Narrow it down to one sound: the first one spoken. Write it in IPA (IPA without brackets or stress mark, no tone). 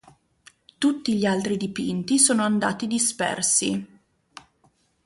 t̪